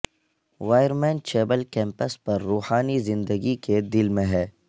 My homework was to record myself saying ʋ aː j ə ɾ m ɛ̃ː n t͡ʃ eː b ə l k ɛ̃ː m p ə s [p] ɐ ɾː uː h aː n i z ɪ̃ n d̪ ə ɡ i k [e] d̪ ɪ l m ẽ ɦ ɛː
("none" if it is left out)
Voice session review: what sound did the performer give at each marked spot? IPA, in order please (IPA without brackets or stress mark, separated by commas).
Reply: p, e